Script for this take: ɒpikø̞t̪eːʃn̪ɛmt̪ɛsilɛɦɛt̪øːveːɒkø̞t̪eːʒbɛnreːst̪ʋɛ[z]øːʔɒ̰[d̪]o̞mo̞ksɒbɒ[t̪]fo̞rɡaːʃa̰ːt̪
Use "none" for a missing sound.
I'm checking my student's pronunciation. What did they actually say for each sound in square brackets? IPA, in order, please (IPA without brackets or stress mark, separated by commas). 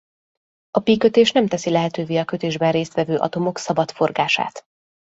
v, t̪, t̪